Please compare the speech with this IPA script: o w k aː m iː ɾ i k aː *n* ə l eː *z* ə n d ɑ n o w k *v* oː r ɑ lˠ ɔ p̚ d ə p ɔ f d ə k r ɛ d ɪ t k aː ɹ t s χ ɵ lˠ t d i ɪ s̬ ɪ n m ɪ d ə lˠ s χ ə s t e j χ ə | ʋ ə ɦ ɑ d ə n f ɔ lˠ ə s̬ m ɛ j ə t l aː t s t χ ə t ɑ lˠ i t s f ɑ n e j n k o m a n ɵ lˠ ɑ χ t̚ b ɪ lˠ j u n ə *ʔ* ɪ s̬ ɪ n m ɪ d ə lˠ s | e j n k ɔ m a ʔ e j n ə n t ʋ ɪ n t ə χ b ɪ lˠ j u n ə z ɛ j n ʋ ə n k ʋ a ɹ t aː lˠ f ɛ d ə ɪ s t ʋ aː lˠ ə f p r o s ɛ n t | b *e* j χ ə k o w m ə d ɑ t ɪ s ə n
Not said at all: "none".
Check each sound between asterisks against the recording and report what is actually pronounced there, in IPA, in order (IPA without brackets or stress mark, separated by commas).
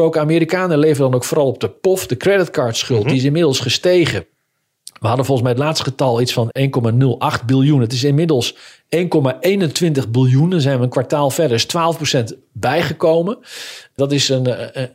n, v, f, t, ɛ